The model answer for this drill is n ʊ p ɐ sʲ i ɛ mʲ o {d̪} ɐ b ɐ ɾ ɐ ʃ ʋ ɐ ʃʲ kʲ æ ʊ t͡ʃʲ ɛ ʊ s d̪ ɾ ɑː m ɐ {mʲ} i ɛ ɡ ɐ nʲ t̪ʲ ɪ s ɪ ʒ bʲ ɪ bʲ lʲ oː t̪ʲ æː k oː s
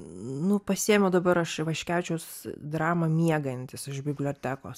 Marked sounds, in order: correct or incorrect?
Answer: correct, correct

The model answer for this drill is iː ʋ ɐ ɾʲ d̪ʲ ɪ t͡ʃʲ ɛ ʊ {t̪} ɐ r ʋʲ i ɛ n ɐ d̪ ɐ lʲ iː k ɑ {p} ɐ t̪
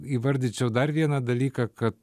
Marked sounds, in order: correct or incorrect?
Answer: incorrect: d̪, incorrect: k

